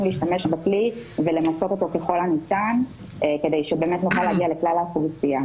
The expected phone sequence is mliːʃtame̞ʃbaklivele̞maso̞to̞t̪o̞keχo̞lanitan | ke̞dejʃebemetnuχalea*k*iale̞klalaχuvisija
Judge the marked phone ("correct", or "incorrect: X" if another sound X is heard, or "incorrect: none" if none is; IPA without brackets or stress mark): incorrect: ɡ